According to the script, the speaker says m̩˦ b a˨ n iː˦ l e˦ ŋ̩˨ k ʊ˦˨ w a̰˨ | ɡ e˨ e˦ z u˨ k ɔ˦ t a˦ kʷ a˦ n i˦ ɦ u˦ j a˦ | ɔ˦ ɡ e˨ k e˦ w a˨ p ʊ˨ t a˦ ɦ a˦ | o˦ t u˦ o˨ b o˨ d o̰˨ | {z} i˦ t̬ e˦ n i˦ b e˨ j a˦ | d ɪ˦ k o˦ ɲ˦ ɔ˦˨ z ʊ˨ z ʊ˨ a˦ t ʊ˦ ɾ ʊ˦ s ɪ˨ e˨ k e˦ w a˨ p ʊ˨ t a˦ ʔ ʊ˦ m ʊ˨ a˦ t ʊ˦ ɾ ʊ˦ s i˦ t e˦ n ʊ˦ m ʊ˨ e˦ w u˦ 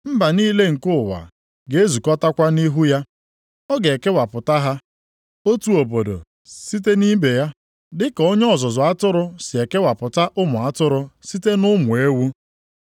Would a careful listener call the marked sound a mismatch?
yes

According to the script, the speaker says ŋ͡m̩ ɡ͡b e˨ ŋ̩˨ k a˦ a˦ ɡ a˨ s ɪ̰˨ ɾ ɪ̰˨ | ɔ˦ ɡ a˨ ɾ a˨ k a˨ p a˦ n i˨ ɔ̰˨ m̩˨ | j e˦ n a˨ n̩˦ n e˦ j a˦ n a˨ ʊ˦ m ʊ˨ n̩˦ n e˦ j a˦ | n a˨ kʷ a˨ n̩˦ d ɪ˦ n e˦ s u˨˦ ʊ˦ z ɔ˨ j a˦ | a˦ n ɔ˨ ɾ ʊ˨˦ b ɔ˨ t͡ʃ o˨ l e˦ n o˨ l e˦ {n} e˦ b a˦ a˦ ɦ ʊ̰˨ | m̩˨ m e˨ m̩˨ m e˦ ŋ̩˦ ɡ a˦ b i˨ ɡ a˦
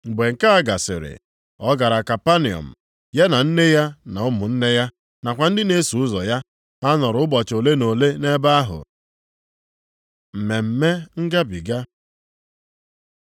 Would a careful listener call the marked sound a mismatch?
no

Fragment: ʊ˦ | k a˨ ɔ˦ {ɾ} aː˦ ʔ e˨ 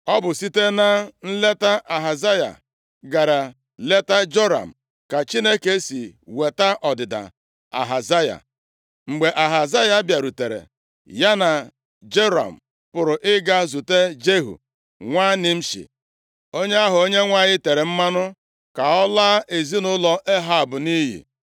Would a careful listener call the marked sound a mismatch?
yes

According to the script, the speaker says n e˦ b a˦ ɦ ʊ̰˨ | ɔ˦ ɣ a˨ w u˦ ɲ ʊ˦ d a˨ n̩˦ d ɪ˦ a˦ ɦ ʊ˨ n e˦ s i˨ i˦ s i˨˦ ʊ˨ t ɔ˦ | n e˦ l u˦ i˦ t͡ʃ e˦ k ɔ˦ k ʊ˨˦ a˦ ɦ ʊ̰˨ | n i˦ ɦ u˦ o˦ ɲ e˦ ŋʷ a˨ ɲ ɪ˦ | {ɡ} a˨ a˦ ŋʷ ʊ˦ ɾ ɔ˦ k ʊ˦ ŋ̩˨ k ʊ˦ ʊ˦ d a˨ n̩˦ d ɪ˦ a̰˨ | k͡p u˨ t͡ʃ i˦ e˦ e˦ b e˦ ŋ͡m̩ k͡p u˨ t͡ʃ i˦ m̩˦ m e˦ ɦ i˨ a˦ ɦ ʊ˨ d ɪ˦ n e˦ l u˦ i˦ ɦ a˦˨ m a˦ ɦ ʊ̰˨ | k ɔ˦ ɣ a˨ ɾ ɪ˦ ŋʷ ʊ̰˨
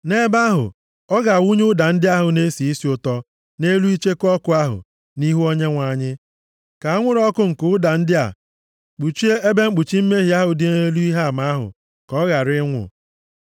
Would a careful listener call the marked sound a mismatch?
yes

